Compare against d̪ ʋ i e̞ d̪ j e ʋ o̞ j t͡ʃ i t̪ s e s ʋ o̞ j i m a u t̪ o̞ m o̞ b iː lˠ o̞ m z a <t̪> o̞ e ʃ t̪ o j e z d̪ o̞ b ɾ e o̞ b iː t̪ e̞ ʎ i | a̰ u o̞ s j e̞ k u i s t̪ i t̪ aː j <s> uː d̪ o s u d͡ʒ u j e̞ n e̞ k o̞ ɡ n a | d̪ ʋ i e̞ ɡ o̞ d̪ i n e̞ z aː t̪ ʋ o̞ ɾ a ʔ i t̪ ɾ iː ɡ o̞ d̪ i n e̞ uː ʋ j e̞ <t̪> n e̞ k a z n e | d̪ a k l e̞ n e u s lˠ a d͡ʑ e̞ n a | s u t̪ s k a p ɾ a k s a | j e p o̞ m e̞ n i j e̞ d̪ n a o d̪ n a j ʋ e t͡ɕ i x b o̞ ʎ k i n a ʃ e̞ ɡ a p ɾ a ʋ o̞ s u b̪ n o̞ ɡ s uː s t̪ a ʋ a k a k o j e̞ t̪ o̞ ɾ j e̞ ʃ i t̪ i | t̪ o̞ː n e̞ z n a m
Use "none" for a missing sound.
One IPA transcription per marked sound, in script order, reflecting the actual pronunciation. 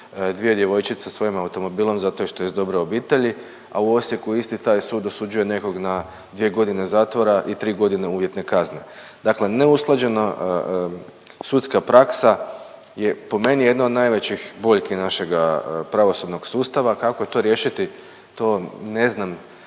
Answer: t̪, s, t̪

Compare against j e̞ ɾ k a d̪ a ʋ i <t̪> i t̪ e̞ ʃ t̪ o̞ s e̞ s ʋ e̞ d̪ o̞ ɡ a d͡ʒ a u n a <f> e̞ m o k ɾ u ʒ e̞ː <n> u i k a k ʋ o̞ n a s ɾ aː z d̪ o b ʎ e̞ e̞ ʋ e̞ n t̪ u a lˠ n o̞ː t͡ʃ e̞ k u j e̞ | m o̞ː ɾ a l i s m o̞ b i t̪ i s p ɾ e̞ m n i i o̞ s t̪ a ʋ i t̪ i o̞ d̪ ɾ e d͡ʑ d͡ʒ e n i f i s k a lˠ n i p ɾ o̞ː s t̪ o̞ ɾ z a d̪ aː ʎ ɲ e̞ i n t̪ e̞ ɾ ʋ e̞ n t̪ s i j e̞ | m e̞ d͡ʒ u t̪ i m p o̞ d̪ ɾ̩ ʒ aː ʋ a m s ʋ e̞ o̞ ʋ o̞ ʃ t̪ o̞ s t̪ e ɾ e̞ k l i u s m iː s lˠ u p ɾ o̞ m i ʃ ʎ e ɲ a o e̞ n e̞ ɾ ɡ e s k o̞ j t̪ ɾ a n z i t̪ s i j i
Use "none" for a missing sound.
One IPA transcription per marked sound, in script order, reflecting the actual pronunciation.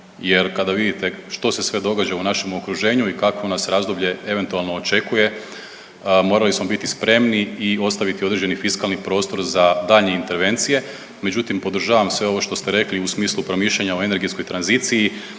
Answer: d̪, ʃ, ɲ

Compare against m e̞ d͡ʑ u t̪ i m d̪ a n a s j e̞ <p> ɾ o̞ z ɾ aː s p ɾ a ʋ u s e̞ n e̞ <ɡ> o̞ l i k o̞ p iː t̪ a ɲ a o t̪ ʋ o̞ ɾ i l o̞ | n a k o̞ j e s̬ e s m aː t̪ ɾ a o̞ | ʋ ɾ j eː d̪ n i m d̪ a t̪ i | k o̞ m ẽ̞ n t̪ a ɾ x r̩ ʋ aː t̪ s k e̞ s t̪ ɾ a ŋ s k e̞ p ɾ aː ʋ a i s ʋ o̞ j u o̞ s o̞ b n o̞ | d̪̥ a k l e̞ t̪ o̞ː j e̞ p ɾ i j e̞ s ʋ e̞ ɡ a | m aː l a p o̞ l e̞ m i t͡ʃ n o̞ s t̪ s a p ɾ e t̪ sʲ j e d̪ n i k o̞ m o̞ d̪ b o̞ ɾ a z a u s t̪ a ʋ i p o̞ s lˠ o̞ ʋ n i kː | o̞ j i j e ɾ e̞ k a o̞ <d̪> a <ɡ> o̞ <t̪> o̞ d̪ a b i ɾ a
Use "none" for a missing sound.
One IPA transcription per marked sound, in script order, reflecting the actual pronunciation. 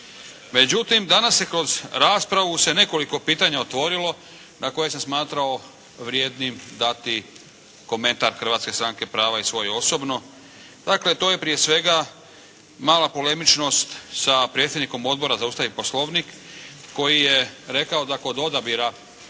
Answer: k, k, d̪, k, d̪

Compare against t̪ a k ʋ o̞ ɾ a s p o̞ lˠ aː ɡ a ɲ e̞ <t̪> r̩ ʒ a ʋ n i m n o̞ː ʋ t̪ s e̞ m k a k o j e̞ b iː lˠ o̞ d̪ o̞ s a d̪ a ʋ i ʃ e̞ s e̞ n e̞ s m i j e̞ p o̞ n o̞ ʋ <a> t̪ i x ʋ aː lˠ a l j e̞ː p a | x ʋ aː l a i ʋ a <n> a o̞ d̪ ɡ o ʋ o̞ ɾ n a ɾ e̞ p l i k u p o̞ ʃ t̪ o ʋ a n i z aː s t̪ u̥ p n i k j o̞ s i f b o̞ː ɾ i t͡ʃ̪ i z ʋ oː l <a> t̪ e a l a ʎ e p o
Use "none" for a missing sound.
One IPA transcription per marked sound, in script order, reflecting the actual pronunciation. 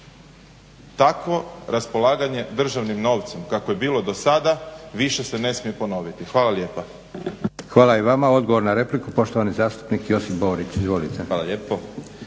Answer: d̪, i, m, i

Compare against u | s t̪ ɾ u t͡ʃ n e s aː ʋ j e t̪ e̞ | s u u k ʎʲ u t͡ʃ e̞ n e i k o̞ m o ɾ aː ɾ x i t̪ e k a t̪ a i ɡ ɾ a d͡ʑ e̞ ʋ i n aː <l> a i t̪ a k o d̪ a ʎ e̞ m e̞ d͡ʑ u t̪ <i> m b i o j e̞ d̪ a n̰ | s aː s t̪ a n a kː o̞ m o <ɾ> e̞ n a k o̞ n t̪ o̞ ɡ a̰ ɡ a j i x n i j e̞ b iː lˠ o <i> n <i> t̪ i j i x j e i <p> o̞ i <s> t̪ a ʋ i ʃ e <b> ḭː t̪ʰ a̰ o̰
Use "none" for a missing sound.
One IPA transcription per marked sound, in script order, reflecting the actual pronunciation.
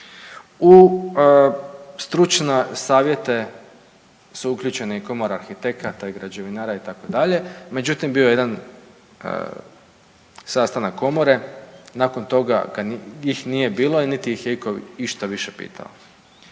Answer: ɾ, i, ɾ, i, i, k, ʃ, p

